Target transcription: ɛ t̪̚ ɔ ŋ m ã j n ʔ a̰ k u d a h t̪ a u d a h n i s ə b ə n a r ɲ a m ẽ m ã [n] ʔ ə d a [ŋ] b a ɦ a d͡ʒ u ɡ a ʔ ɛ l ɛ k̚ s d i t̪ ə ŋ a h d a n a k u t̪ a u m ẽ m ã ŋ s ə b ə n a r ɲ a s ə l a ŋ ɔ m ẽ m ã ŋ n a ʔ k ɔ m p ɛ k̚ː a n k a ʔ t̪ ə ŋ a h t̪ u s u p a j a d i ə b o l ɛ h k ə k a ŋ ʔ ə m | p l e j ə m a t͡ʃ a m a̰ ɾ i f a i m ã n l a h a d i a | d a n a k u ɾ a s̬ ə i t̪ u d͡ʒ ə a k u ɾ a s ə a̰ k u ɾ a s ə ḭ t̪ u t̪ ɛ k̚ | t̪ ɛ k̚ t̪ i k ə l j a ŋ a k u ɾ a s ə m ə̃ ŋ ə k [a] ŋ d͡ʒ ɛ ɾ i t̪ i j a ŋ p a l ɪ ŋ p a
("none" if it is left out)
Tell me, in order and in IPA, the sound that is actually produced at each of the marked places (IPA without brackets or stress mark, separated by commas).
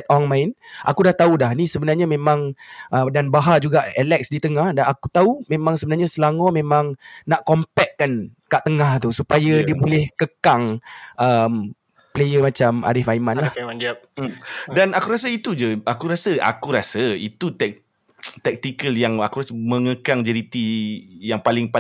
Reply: ŋ, n, a